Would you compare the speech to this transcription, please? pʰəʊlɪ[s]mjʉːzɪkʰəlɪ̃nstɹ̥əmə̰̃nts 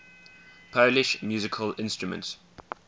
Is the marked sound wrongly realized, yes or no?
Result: yes